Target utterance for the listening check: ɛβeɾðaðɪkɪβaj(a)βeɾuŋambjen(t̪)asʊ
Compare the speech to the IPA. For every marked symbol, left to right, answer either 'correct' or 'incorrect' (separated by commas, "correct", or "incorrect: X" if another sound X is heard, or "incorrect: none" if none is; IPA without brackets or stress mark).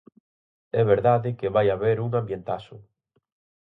correct, correct